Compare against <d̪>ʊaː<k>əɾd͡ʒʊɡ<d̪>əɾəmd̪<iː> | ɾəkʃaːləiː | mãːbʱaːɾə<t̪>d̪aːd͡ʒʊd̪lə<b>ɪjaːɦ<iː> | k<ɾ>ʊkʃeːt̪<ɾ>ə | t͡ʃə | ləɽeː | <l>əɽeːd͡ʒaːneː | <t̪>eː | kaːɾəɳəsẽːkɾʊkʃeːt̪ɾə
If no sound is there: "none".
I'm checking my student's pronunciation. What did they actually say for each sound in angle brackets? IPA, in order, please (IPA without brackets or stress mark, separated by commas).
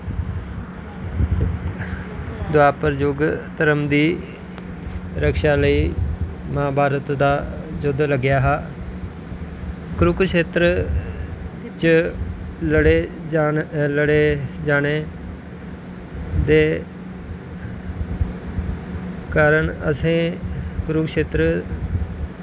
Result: d̪, p, t̪, iː, t̪, ɡ, aː, ɾ, ɾ, l, d̪